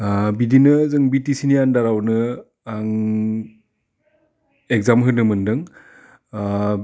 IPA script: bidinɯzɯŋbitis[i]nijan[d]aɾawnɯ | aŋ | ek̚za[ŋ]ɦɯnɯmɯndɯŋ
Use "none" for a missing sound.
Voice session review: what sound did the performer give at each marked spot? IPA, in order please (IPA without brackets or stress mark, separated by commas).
i, d, m